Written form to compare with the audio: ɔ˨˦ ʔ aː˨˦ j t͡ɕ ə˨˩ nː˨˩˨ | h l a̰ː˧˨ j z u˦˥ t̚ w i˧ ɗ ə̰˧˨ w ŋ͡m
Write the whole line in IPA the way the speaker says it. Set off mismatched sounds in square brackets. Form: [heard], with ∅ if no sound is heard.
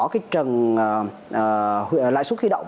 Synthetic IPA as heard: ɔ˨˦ [k] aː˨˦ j t͡ɕ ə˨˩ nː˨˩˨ | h l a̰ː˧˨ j [s] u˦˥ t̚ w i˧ ɗ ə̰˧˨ w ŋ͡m